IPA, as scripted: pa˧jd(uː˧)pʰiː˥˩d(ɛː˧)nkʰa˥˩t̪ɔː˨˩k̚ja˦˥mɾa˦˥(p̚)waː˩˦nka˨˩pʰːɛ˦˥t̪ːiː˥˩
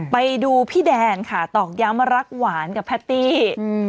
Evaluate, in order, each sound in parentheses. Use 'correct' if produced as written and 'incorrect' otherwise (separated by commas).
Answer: correct, correct, incorrect